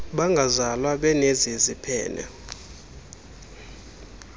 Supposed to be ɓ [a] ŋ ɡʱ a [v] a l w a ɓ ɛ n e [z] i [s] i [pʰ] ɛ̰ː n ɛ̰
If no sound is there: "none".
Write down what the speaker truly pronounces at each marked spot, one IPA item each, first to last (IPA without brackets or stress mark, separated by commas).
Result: a, z, z, z, pʰ